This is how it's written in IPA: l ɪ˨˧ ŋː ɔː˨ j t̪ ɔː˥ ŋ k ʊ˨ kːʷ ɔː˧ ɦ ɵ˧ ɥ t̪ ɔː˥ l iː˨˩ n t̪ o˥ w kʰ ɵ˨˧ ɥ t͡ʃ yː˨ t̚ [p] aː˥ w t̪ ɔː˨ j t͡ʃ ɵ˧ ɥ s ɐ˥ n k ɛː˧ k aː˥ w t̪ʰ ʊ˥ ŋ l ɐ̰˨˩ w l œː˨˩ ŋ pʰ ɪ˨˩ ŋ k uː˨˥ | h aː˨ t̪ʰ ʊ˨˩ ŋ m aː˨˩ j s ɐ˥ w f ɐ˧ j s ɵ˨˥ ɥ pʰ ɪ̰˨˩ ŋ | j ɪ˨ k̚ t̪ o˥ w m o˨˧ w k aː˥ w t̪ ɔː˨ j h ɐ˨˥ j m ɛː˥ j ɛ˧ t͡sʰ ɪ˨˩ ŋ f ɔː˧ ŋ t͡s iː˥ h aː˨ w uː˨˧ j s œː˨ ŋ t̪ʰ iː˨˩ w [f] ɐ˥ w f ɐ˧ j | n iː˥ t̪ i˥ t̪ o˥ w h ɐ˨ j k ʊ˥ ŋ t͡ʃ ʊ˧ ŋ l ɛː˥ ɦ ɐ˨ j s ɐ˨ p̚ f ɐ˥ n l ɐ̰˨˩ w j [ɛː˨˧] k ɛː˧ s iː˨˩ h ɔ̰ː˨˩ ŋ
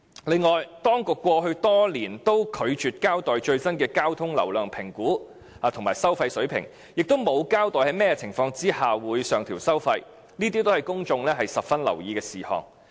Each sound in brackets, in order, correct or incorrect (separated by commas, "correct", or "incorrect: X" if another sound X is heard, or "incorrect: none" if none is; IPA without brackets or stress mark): incorrect: k, incorrect: s, incorrect: iː˨˧